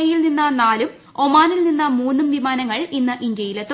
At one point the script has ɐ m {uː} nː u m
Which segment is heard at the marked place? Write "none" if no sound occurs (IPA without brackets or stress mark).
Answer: uː